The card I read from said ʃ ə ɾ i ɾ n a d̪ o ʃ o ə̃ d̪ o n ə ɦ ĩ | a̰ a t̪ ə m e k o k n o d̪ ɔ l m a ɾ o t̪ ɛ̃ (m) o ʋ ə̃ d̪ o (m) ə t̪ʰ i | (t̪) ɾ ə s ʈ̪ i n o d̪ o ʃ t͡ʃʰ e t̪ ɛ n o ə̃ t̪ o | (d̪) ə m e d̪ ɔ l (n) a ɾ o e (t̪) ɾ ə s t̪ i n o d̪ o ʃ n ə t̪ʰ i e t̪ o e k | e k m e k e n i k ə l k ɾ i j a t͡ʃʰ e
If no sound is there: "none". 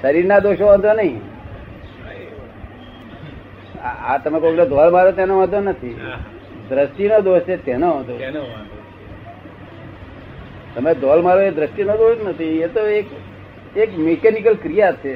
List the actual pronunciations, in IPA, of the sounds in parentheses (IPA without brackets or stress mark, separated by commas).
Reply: n, n, d̪, t̪, m, d̪